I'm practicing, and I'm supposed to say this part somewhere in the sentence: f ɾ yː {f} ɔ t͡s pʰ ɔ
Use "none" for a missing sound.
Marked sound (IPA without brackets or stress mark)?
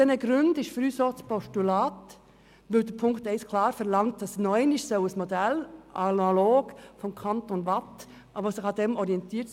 s